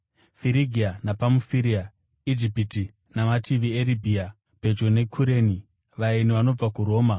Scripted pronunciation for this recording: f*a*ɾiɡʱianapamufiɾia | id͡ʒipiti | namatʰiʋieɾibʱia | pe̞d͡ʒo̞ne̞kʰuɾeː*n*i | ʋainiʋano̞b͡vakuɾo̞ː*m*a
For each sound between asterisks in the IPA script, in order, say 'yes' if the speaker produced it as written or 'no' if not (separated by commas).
no, yes, yes